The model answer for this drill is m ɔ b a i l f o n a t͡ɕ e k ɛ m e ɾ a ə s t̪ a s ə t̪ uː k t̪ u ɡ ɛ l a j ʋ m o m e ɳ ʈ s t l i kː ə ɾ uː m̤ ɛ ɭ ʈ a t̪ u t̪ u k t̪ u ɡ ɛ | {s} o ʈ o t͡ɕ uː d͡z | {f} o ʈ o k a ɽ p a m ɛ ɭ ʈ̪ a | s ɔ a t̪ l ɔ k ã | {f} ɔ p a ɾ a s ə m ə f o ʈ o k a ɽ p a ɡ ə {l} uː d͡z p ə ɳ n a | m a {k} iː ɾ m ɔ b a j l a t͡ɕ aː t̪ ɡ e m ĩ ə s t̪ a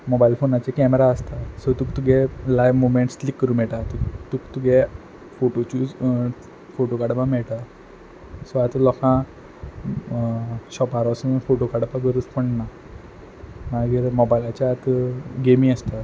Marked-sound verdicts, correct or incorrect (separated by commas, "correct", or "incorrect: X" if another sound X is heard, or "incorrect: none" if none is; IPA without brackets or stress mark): incorrect: f, correct, incorrect: ɕ, incorrect: ɾ, incorrect: ɡ